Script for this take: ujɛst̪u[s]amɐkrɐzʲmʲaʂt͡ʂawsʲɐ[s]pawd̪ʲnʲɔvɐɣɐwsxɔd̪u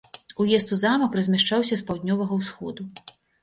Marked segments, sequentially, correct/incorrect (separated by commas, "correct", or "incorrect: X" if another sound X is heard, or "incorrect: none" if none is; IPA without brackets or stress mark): incorrect: z, correct